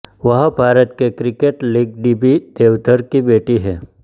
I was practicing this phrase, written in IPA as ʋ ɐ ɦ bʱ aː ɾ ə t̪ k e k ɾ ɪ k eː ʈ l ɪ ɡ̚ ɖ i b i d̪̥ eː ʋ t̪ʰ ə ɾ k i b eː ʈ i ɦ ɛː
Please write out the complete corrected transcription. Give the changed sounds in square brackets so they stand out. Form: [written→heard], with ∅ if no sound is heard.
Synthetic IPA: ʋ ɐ ɦ bʱ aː ɾ ə t̪ k e k ɾ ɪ k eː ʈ l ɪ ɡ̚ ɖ i b i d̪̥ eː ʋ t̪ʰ ə ɾ k i b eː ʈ i ɦ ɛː